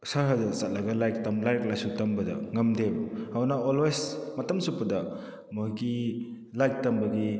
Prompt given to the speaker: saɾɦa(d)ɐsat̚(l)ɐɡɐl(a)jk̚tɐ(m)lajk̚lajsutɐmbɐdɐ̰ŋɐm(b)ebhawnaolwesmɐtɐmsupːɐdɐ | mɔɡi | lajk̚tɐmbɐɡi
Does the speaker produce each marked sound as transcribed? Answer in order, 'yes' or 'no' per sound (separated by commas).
yes, yes, yes, yes, no